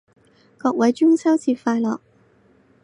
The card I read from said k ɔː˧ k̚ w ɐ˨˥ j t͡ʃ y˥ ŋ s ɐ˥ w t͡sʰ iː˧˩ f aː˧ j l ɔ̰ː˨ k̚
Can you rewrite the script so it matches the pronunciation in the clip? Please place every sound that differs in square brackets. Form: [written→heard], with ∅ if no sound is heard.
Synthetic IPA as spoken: k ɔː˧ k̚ w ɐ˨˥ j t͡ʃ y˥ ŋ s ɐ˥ w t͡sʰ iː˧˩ f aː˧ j l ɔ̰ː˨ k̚